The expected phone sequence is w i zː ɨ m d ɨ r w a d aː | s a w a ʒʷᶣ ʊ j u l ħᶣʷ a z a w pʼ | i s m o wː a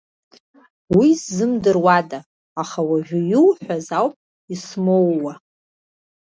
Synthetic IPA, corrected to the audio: w i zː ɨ m d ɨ r w a d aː | χ a w a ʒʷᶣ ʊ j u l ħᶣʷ a z a w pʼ | i s m o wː a